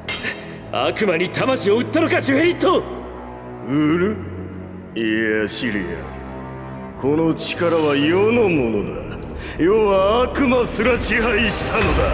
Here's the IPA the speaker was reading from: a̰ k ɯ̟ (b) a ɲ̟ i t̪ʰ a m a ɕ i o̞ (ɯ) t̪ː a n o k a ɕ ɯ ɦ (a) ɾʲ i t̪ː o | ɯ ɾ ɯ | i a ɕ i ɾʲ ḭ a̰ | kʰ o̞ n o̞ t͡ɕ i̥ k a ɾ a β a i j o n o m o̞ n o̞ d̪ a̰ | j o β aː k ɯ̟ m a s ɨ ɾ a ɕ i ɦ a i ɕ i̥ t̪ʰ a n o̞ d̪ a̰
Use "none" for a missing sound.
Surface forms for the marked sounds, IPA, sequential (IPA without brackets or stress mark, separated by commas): m, ɯ, e